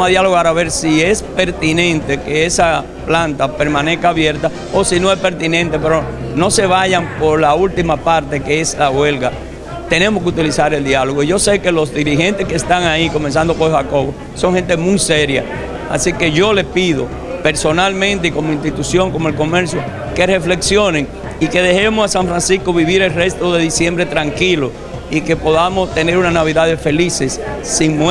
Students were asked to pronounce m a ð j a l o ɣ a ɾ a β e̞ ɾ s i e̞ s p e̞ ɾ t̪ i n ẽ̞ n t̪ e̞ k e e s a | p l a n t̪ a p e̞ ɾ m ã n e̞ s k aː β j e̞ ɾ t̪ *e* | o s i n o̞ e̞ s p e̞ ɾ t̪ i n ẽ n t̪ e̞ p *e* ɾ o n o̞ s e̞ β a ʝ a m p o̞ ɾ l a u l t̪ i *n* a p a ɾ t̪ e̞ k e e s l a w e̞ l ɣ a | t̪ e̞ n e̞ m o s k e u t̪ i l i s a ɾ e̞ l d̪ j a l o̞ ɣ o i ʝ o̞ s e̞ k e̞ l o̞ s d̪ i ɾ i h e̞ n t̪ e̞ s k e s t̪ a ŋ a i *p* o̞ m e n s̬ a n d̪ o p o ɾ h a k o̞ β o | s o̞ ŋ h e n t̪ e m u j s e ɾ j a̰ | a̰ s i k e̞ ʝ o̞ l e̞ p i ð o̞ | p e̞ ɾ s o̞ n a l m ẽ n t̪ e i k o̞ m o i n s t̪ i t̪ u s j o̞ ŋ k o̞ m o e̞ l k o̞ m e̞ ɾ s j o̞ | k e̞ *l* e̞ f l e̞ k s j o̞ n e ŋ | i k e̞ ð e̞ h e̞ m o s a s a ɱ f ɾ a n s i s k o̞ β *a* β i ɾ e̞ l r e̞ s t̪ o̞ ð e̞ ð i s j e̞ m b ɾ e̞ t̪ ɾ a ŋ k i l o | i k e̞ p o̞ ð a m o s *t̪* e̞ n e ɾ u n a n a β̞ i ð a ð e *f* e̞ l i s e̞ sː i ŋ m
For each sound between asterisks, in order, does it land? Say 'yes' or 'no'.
no, yes, no, no, no, no, yes, yes

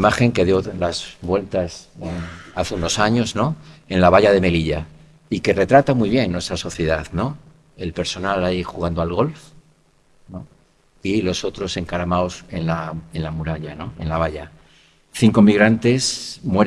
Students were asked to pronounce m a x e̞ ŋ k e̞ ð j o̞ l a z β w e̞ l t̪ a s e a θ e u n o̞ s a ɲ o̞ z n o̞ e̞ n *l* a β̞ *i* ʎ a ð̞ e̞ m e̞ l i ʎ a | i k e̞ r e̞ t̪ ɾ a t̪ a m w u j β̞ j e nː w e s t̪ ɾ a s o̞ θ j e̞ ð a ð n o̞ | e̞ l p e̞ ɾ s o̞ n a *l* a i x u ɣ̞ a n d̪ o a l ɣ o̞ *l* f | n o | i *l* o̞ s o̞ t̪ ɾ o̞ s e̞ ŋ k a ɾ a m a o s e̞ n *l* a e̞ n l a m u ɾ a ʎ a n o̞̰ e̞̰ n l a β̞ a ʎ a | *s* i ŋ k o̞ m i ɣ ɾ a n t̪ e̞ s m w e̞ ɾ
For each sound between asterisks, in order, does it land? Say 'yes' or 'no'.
yes, no, yes, yes, yes, yes, no

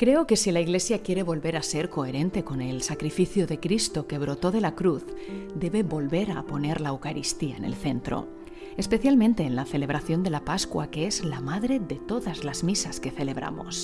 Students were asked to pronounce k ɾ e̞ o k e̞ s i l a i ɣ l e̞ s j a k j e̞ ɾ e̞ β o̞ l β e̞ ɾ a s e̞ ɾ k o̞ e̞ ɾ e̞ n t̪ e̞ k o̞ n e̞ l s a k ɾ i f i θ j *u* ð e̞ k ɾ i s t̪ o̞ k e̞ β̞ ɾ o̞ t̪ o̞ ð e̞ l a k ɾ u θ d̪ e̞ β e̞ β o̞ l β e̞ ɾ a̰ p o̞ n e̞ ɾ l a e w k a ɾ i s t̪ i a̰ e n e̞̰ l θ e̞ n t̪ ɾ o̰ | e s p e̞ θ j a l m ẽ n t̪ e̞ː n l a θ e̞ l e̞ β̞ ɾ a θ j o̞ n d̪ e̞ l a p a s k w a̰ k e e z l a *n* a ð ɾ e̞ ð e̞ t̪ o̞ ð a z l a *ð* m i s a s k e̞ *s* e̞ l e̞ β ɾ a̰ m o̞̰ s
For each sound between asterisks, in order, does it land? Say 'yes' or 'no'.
no, no, no, no

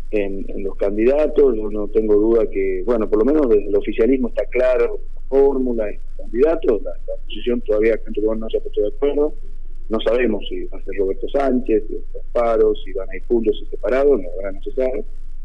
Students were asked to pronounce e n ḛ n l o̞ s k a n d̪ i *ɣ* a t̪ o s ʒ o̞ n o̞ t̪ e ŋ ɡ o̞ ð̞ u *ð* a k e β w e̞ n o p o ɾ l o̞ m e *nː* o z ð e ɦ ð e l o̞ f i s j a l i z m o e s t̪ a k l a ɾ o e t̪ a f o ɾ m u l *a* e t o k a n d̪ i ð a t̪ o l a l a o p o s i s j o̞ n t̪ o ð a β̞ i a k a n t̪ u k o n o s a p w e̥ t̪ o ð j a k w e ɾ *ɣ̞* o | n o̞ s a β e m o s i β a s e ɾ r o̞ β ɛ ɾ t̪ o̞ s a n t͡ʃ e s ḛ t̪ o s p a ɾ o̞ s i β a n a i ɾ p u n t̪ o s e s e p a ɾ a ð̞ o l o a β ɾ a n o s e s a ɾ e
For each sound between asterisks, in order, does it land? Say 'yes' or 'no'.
no, yes, no, yes, no

